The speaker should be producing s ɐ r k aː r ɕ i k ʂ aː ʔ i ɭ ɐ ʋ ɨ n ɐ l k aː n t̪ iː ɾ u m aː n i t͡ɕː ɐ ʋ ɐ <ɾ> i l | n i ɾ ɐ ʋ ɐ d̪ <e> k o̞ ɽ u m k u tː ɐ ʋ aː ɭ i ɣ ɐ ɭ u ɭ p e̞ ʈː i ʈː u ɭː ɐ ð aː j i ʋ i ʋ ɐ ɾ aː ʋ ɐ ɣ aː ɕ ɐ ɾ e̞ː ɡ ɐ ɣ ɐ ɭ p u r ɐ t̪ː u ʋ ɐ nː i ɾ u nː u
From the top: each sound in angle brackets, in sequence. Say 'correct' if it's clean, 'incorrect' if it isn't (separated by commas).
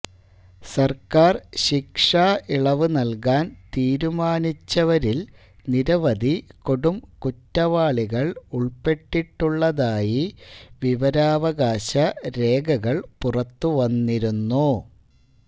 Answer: correct, incorrect